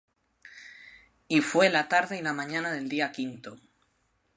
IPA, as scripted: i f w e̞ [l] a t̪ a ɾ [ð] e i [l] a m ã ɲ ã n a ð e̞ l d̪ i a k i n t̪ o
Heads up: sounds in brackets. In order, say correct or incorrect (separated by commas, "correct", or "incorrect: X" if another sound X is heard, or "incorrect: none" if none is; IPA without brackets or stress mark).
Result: correct, correct, correct